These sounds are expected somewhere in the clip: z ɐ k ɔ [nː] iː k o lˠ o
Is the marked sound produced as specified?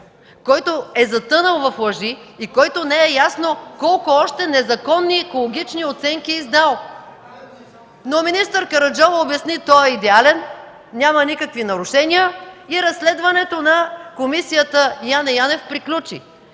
yes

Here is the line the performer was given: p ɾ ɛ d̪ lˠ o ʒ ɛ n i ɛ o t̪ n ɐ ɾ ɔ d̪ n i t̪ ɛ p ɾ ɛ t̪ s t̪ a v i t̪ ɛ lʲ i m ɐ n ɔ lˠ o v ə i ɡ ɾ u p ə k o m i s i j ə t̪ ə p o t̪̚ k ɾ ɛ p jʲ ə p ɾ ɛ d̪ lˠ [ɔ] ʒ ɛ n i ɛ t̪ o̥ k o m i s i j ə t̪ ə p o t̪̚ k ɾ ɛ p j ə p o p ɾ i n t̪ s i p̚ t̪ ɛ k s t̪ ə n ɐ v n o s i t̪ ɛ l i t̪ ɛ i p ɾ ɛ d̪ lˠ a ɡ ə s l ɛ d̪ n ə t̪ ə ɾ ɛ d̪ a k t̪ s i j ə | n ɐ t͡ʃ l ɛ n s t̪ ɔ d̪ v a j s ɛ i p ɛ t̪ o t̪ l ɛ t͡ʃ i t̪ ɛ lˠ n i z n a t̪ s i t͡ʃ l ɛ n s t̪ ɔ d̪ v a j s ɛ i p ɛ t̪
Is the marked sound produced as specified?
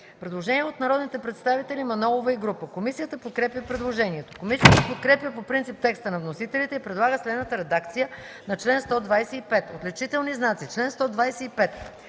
no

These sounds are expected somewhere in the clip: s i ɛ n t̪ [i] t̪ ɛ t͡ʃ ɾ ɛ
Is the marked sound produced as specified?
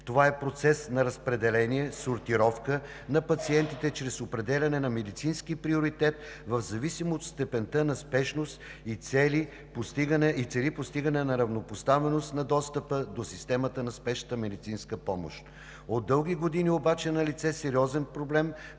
yes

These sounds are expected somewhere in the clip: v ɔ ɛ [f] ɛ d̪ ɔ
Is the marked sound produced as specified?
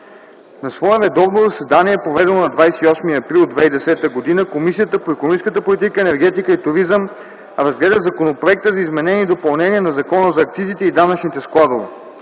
no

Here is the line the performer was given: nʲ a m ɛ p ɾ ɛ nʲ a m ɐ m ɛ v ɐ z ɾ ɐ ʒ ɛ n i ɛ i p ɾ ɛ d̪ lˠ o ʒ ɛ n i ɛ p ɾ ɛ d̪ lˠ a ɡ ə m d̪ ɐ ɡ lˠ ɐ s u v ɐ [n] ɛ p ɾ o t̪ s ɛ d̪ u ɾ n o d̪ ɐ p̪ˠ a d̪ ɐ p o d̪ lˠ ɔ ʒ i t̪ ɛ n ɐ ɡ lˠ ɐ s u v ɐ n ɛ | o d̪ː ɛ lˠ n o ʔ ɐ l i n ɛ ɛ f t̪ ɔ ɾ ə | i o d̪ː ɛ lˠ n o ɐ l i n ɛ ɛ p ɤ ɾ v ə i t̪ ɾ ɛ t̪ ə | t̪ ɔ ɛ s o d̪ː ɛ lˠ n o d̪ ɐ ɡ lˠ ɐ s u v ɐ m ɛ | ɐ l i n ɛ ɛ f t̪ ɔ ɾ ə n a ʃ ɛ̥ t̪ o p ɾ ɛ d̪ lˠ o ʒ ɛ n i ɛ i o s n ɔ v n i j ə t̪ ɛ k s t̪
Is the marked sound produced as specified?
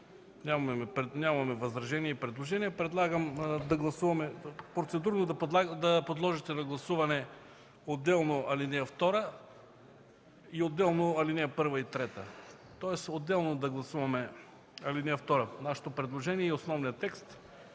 no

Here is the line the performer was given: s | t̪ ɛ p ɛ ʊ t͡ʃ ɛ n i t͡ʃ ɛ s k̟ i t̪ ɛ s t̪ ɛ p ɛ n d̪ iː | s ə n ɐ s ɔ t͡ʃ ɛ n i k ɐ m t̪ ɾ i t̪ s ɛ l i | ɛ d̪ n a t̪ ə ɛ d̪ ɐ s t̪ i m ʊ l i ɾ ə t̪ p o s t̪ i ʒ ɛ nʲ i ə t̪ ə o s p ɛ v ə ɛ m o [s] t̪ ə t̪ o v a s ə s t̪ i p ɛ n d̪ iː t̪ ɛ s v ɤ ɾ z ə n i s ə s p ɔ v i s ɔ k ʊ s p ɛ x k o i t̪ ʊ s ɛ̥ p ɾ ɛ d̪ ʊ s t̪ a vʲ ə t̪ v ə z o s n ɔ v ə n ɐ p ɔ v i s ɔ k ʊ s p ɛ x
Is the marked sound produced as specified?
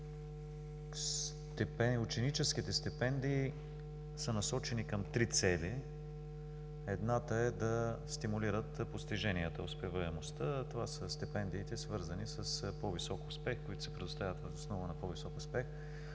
yes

